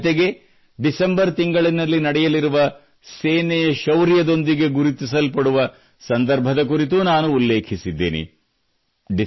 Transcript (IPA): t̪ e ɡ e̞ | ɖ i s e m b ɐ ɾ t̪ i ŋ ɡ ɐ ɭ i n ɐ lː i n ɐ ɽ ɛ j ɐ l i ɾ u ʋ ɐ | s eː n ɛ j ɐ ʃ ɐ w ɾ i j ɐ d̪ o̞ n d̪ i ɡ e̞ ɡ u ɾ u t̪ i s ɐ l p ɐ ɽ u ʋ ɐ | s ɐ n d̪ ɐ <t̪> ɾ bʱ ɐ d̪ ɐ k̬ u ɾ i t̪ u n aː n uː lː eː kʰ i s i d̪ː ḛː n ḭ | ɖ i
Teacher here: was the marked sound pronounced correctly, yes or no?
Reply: no